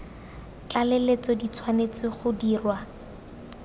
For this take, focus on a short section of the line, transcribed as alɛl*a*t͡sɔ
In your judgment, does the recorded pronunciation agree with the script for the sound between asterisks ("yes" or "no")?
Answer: no